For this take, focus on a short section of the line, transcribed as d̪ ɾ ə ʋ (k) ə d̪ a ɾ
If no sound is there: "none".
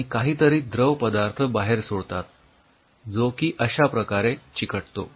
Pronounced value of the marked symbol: p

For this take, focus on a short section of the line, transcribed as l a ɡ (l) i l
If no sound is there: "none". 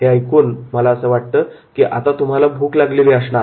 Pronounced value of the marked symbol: l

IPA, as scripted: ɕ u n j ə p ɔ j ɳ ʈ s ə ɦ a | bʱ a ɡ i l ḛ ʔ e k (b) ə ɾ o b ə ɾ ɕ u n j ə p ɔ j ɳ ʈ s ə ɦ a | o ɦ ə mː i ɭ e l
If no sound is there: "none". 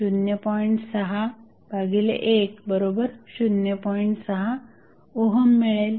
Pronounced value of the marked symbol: b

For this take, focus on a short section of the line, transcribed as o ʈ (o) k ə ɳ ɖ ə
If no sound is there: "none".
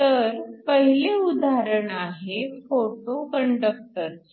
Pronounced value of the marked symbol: o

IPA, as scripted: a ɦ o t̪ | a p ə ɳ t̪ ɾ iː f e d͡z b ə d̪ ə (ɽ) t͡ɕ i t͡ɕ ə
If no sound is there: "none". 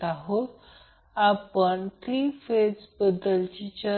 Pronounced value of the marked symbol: l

